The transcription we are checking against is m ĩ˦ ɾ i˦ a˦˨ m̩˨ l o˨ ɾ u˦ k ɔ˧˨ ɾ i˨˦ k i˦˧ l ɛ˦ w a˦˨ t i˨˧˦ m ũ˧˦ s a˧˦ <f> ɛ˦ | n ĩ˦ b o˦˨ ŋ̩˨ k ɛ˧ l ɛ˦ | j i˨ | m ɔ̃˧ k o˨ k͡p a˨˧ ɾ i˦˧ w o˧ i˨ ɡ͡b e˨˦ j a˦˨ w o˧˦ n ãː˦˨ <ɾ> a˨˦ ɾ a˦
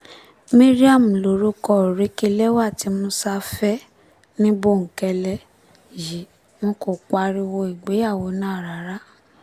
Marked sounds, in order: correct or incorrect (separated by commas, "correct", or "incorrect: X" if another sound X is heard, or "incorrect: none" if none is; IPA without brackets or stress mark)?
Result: correct, correct